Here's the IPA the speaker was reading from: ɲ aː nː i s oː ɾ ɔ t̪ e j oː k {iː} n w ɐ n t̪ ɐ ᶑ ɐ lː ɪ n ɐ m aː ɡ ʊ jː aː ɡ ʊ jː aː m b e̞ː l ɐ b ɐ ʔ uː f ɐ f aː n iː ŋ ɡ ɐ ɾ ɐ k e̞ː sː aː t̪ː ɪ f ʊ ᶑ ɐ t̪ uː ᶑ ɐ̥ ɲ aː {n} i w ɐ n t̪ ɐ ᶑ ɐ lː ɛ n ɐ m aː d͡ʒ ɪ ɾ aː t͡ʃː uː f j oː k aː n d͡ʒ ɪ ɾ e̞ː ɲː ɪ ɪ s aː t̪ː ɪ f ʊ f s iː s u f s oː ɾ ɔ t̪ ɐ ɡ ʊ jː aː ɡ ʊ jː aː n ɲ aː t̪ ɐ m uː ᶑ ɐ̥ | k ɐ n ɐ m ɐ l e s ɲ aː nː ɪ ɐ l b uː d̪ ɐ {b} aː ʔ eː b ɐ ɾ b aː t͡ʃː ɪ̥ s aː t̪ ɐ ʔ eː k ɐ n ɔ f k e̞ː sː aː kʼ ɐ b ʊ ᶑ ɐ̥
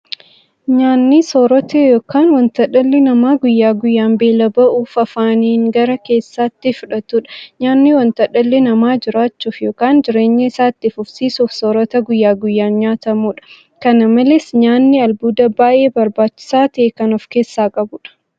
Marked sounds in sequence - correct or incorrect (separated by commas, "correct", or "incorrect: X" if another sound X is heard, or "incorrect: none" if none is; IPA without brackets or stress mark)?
incorrect: aː, incorrect: nː, correct